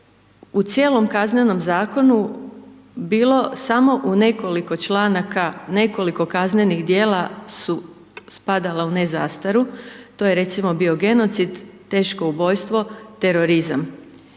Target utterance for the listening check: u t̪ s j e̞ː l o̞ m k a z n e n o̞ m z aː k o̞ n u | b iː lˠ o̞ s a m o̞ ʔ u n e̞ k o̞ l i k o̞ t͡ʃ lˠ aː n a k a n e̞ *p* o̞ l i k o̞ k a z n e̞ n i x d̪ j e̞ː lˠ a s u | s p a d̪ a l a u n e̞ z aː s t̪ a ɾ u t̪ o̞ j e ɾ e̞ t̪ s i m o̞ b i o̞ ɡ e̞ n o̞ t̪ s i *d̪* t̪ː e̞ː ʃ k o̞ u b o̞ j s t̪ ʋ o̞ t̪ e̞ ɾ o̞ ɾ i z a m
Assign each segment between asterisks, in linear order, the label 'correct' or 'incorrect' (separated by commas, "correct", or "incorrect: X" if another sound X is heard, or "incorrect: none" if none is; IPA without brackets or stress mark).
incorrect: k, correct